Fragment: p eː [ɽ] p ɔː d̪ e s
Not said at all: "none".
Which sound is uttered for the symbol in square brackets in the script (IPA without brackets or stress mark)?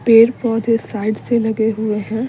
ɾ